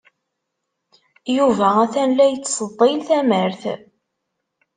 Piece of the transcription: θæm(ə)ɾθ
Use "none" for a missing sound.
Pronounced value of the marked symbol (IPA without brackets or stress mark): ə